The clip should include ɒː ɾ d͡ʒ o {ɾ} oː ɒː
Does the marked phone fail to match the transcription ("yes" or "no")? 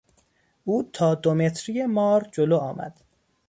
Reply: yes